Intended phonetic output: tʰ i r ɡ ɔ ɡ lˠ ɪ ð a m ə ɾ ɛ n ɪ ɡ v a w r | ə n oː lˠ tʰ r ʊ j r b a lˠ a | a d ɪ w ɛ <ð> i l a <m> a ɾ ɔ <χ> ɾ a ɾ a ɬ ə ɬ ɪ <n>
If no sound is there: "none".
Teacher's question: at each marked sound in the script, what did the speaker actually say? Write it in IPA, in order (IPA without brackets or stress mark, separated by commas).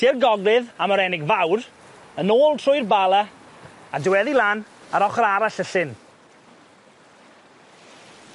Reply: ð, n, χ, n